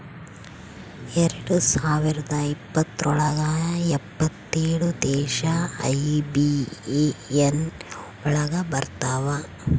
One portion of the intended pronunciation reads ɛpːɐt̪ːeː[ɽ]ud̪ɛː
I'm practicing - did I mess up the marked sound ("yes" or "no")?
no